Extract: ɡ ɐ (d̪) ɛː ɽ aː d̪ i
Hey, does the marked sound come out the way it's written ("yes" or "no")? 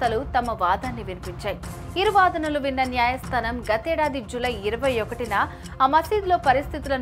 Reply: no